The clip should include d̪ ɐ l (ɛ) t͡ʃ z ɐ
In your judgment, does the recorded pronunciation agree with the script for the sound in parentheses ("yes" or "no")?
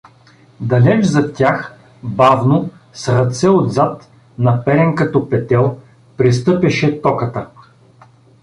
yes